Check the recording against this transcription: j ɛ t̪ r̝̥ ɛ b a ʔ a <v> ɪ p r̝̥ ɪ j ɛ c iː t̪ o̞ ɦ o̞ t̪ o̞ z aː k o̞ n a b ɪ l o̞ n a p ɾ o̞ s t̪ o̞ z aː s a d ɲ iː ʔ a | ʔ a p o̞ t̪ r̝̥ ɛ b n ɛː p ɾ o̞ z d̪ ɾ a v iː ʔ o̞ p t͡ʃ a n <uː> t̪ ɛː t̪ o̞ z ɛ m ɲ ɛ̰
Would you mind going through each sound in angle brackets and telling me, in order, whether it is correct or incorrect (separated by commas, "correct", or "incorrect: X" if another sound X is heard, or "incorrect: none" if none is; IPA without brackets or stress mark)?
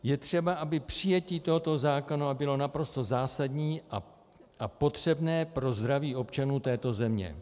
incorrect: b, correct